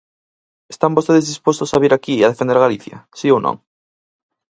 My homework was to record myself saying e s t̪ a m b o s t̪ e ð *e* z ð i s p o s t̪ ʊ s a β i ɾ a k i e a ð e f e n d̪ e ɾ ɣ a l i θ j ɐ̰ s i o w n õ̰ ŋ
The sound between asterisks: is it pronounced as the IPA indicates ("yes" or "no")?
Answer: yes